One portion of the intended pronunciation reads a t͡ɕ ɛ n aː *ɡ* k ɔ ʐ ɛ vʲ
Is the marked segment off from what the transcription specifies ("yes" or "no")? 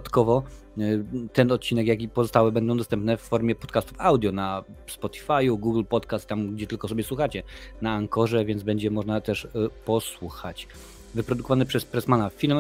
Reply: yes